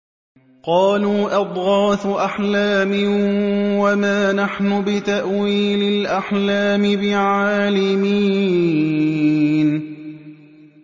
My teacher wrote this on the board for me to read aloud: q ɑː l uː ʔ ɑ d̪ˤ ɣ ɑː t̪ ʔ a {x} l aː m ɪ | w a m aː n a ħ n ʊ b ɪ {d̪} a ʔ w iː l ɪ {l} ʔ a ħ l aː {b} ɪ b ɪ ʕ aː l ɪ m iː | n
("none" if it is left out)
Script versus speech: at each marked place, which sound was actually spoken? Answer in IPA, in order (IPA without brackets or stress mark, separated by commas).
ħ, t̪, l, m